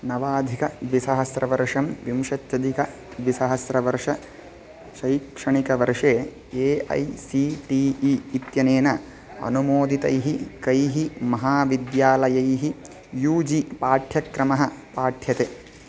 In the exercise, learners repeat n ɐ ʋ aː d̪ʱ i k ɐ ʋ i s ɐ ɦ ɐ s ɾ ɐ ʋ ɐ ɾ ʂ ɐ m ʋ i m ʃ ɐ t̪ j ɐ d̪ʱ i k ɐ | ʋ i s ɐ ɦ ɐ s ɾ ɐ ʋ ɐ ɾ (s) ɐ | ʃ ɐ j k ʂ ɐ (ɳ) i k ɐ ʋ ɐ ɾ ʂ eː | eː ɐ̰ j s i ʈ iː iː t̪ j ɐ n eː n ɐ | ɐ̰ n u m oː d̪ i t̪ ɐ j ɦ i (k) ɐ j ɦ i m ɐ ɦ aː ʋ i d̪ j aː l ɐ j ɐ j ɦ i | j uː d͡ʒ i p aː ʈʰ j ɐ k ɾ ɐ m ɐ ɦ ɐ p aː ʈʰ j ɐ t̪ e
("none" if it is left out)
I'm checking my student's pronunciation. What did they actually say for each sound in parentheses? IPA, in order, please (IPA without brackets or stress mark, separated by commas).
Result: ʂ, ɳ, k